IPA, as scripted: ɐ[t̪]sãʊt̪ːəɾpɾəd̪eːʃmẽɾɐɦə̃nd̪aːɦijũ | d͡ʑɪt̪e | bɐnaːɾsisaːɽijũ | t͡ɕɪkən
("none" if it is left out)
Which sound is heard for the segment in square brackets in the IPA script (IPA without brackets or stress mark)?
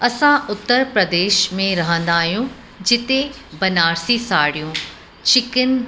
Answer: none